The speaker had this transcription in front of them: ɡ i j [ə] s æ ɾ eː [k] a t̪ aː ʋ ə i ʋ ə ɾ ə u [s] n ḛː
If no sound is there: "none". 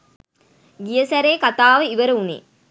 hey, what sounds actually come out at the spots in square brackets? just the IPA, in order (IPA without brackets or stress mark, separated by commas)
ə, k, none